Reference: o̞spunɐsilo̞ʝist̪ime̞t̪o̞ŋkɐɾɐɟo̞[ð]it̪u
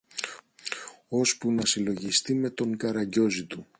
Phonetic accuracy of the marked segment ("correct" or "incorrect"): incorrect